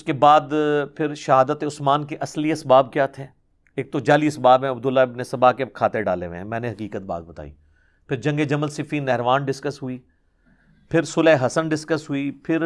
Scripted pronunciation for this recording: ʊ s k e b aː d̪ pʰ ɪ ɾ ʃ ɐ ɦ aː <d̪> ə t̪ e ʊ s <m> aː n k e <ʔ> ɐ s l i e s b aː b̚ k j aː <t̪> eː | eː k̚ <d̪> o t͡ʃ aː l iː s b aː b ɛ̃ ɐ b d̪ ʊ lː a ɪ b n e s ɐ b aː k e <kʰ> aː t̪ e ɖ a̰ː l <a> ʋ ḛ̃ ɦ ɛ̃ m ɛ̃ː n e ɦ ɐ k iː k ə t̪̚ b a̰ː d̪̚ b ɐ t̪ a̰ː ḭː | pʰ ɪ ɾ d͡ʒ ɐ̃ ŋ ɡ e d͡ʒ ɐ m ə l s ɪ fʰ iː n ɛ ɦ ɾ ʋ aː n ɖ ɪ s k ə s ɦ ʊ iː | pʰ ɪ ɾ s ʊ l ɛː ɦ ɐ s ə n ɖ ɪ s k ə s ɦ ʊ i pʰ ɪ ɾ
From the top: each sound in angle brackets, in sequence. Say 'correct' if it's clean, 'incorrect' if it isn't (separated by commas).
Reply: correct, correct, correct, incorrect, incorrect, correct, incorrect